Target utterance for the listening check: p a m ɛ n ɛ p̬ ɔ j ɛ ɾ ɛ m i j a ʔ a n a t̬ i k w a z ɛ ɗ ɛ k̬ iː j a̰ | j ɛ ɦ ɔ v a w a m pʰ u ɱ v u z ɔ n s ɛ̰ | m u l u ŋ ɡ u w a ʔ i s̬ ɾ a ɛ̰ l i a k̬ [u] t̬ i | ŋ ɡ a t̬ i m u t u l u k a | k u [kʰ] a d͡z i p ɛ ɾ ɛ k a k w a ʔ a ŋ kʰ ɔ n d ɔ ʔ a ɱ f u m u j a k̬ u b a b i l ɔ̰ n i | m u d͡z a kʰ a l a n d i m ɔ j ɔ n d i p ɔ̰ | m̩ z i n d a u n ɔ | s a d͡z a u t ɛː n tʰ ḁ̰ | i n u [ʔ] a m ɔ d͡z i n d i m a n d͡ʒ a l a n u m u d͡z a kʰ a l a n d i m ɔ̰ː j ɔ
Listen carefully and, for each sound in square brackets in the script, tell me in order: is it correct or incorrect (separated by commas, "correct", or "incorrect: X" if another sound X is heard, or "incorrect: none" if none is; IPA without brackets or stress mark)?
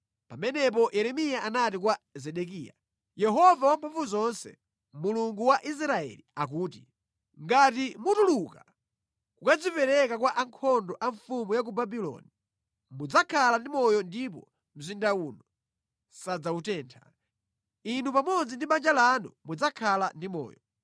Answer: incorrect: uː, incorrect: k, incorrect: p